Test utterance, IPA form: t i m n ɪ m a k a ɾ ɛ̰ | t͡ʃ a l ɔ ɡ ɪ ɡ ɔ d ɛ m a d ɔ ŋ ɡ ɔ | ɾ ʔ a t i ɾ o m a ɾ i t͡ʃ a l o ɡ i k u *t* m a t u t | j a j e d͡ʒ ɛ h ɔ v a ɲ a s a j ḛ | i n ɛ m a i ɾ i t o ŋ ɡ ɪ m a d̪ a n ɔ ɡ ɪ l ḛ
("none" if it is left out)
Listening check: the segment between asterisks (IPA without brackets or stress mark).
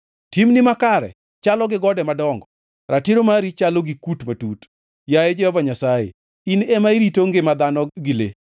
t